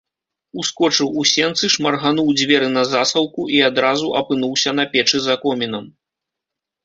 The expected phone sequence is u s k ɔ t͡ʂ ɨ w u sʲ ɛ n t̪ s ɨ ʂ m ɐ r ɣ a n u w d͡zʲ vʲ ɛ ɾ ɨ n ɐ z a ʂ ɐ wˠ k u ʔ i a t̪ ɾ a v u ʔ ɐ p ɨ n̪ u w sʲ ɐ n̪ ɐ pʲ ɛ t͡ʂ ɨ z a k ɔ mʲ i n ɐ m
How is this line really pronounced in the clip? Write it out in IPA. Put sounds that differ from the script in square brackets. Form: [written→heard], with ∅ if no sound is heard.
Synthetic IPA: u s k ɔ t͡ʂ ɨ w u sʲ ɛ n t̪ s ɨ ʂ m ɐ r ɣ a n u w d͡zʲ vʲ ɛ ɾ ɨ n ɐ z a [ʂ→s] ɐ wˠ k u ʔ i a [t̪→d̪] ɾ a [v→z] u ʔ ɐ p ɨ n̪ u w sʲ ɐ n̪ ɐ pʲ ɛ t͡ʂ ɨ z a k ɔ mʲ i n ɐ m